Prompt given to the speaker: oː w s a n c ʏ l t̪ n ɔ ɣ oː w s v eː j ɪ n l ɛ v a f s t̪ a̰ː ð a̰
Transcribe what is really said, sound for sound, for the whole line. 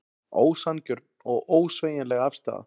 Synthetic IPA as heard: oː w s a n c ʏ ɾ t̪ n ɔ ɣ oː w s v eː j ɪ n l ɛ ɣ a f s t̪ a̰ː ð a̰